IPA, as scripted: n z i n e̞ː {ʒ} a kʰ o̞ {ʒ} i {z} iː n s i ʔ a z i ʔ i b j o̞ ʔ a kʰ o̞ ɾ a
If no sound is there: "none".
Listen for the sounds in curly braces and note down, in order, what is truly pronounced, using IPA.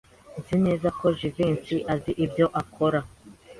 z, ʒ, v

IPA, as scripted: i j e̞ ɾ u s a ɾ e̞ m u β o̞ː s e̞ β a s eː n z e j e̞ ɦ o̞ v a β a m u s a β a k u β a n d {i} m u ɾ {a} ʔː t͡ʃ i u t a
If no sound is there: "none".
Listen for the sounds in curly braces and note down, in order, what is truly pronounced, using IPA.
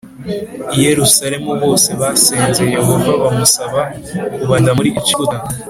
a, i

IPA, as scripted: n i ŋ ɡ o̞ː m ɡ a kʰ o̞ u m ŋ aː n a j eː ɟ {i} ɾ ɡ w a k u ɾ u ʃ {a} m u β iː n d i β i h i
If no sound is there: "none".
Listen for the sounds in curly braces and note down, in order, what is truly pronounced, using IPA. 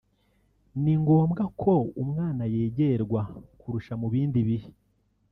e, a

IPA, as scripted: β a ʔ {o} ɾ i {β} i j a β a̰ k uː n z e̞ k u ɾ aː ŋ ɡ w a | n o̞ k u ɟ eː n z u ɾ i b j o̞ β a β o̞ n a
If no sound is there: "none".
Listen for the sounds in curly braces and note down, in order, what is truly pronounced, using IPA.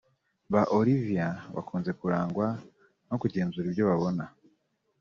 o, v

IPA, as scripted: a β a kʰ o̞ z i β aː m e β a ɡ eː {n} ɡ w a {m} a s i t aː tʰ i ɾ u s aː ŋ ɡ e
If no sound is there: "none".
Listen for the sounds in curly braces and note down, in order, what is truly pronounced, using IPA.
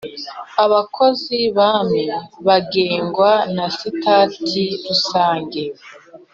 ŋ, n

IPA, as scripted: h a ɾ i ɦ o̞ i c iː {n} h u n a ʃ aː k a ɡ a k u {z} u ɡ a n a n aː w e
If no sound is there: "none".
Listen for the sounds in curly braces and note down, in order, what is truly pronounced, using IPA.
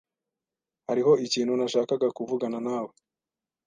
n, v

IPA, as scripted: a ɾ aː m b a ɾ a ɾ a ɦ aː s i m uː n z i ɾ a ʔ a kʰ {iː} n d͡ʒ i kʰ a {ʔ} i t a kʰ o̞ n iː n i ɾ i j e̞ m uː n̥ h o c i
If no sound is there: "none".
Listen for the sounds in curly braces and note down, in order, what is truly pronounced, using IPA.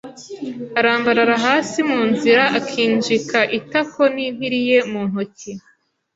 iː, ʔ

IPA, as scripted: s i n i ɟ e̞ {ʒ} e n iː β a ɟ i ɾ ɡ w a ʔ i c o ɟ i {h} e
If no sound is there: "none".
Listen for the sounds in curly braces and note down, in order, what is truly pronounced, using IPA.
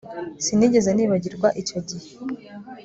z, h

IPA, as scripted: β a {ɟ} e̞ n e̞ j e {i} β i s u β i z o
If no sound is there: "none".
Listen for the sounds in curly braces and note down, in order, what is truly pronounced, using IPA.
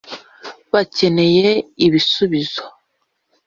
c, i

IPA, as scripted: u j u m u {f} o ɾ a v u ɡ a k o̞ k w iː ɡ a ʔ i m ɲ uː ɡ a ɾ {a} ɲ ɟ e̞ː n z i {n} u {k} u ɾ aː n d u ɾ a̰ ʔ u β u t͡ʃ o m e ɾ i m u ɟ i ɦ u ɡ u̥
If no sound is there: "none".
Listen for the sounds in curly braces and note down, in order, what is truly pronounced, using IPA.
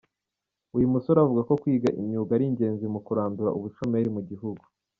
s, i, m, k

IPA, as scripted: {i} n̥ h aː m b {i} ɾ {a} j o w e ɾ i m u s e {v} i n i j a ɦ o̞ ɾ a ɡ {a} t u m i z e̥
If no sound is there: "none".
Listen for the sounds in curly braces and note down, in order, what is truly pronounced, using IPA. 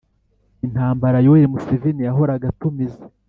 i, a, a, v, a

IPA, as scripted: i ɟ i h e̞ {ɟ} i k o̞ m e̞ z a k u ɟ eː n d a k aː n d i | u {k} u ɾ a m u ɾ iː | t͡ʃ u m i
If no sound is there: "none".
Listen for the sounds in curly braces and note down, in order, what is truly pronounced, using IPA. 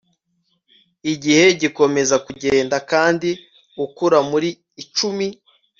ɟ, k

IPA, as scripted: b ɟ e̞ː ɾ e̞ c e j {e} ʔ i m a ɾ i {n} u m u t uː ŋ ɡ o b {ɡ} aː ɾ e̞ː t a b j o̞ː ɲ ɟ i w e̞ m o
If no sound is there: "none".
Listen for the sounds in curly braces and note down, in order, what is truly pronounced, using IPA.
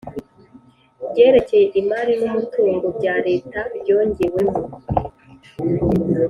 e, n, ɟ

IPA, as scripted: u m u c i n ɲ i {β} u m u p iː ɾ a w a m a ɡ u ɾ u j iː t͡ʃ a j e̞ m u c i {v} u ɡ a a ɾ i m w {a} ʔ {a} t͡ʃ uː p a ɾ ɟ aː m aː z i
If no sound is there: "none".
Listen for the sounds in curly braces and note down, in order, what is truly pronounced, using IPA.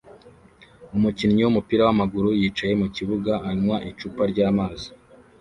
w, β, a, i

